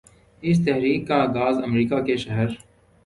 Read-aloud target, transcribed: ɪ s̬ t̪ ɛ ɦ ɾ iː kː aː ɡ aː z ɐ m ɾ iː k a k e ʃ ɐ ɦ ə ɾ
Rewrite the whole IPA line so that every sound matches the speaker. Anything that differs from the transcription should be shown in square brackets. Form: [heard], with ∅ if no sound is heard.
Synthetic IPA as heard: ɪ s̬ t̪ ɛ ɦ ɾ iː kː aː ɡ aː z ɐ m ɾ iː k a k e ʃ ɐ ɦ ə ɾ